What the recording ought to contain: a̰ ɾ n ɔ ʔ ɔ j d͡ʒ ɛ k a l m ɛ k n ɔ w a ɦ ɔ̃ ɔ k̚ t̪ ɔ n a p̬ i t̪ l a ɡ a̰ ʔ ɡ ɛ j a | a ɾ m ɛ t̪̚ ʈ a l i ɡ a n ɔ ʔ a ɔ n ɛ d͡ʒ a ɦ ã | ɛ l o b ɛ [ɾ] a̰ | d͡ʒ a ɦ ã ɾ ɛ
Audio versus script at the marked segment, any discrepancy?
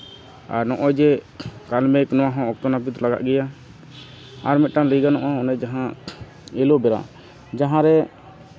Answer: no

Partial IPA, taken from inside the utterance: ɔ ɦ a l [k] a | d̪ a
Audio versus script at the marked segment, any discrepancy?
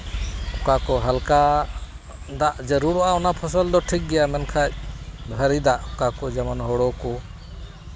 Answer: no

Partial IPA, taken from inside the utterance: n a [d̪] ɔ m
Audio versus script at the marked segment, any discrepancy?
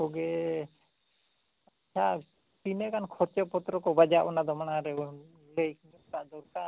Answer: no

